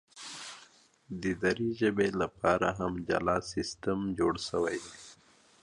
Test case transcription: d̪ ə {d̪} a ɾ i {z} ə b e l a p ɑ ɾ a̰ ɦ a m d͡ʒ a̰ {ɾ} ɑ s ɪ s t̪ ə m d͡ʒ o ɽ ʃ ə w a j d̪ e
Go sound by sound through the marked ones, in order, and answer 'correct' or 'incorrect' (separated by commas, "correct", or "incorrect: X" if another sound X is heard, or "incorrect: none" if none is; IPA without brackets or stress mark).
correct, incorrect: ʒ, incorrect: l